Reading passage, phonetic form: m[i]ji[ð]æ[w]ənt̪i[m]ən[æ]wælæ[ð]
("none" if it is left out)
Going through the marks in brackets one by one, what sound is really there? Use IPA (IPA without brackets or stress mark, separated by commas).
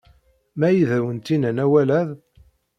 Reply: æ, ð, w, n, æ, ð